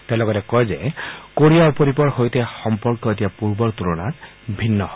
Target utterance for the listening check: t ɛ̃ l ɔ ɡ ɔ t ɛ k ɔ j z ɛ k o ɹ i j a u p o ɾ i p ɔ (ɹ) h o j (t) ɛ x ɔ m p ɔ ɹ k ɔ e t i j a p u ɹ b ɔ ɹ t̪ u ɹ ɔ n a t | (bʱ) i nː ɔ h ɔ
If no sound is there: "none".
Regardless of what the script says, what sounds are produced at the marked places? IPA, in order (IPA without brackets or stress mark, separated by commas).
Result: ɹ, t, bʱ